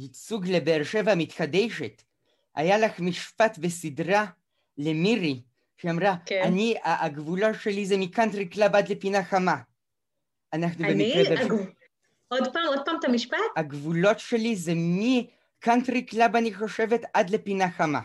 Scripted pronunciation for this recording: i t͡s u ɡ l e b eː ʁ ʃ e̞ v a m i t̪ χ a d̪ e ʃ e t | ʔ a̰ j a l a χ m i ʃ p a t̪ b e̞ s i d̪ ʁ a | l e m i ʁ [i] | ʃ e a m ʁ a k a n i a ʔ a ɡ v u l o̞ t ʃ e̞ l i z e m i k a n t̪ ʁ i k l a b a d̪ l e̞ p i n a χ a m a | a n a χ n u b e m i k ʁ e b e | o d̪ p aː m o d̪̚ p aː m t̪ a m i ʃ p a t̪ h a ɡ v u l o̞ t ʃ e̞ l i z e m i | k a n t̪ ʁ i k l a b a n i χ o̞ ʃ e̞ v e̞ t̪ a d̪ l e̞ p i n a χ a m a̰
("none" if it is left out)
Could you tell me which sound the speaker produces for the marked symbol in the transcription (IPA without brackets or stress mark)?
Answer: i